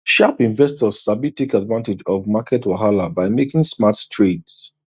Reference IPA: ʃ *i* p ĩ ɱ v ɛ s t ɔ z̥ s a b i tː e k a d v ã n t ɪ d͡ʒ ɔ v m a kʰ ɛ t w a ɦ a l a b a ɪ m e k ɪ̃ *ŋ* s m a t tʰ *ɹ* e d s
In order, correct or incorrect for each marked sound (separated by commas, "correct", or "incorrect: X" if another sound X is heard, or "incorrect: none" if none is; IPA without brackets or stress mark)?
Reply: incorrect: a, correct, correct